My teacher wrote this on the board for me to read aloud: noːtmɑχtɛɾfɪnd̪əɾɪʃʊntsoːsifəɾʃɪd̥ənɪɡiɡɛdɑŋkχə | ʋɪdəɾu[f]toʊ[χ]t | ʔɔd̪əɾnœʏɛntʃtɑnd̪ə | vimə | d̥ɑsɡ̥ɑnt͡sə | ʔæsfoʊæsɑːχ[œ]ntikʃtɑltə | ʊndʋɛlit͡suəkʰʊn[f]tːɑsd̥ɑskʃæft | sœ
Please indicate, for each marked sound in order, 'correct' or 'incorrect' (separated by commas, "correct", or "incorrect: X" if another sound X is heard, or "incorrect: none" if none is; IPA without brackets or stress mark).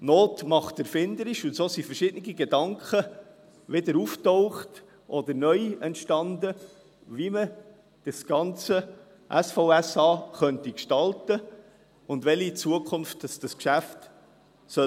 correct, correct, correct, correct